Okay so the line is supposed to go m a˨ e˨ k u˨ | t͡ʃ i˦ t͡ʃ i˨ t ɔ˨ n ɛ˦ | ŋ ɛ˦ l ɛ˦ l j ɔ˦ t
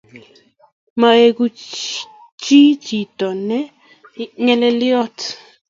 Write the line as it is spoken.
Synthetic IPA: m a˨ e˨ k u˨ | t͡ʃ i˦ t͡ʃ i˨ t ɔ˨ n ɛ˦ | ŋ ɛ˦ l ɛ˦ l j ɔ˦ t